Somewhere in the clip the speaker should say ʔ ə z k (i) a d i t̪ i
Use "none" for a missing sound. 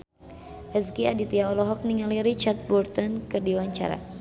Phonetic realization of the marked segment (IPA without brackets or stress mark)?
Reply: i